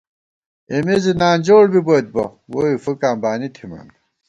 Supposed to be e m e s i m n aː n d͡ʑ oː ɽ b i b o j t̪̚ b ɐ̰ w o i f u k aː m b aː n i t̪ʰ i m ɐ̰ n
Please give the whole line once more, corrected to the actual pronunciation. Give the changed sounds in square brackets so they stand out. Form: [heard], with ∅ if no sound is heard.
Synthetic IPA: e m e [z] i [∅] n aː n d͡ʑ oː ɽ b i b o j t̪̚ b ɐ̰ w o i f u k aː m b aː n i t̪ʰ i m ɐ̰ n